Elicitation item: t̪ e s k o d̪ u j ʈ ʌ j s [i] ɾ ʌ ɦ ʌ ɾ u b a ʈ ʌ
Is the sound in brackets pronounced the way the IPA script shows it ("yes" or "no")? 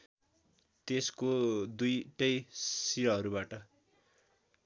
yes